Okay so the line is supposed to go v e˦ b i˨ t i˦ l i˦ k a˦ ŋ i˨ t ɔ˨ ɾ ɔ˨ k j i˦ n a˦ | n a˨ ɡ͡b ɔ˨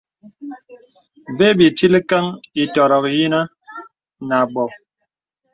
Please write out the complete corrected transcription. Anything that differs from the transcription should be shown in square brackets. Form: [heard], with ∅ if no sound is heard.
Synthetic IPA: v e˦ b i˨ t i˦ l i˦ k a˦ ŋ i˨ t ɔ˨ ɾ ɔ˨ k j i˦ n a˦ | n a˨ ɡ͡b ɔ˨